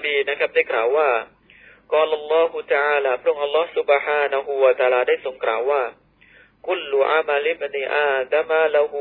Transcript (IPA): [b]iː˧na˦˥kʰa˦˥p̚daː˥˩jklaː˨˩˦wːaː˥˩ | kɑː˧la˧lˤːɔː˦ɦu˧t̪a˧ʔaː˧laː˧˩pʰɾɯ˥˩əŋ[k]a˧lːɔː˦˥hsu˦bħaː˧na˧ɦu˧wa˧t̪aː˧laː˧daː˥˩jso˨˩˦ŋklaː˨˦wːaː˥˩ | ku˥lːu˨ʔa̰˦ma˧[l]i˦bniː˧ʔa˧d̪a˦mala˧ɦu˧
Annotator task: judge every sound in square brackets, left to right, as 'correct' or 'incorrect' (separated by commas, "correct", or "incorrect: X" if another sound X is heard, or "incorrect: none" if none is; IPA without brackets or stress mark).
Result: correct, incorrect: ʔ, correct